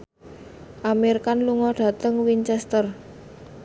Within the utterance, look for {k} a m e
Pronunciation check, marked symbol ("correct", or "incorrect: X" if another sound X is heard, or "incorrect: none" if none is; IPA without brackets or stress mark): incorrect: ʔ